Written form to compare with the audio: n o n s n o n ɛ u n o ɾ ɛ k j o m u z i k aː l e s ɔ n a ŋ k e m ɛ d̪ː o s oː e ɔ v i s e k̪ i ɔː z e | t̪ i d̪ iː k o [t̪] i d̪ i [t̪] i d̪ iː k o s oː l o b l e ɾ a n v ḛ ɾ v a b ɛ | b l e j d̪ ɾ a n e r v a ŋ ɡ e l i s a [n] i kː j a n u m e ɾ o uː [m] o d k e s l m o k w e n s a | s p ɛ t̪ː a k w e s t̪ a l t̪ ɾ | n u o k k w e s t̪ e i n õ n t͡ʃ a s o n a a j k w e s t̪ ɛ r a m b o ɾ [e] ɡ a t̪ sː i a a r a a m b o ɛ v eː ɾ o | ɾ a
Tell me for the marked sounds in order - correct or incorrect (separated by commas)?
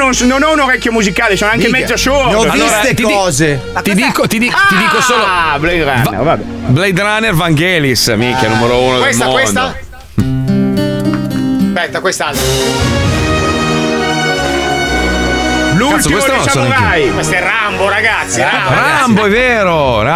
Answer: correct, correct, incorrect, incorrect, incorrect